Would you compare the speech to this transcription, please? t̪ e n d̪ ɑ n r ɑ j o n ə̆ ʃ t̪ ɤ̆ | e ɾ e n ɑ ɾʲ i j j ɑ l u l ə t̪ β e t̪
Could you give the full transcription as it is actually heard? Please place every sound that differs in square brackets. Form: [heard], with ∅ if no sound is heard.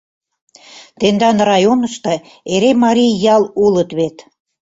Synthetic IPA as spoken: t̪ e n d̪ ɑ n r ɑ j o n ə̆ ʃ t̪ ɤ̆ | e ɾ e [m] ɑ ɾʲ i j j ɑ l u l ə t̪ β e t̪